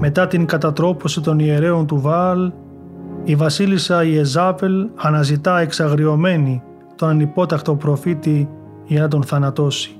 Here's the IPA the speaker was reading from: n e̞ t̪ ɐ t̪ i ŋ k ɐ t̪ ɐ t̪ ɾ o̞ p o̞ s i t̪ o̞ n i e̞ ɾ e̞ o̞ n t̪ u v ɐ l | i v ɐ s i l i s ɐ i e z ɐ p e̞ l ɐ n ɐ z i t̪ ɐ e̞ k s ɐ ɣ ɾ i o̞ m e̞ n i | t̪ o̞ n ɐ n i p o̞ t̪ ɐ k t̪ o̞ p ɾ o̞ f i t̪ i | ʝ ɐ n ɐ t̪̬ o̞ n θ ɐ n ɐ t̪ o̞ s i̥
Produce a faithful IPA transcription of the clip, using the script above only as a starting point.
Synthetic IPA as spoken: m e̞ t̪ ɐ t̪ i ŋ k ɐ t̪ ɐ t̪ ɾ o̞ p o̞ s i t̪ o̞ n i e̞ ɾ e̞ o̞ n t̪ u v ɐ l | i v ɐ s i l i s ɐ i e z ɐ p e̞ l ɐ n ɐ z i t̪ ɐ e̞ k s ɐ ɣ ɾ i o̞ m e̞ n i | t̪ o̞ n ɐ n i p o̞ t̪ ɐ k t̪ o̞ p ɾ o̞ f i t̪ i | ʝ ɐ n ɐ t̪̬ o̞ n θ ɐ n ɐ t̪ o̞ s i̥